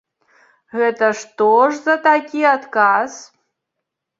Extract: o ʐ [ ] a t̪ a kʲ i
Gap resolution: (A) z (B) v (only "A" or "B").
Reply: A